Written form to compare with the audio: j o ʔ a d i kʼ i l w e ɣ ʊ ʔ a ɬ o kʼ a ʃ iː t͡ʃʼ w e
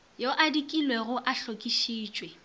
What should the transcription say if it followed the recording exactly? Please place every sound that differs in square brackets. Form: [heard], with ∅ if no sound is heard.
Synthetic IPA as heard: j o ʔ a d i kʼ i l w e ɣ ʊ ʔ a ɬ o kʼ [i] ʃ iː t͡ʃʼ w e